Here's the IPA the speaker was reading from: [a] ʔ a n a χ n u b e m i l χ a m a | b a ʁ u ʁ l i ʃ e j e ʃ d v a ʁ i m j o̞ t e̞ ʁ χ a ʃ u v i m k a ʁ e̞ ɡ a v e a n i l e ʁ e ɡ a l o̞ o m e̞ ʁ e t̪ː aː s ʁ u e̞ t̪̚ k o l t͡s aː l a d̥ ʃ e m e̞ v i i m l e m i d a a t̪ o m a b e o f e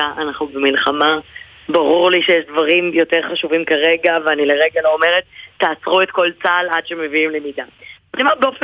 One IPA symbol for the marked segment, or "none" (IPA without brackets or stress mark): a